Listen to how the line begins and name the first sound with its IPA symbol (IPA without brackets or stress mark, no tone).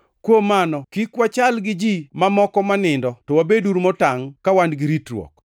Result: k